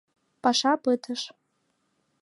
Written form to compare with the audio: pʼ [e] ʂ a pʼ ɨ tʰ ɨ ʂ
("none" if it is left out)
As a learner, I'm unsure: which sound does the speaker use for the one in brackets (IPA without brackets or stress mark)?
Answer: a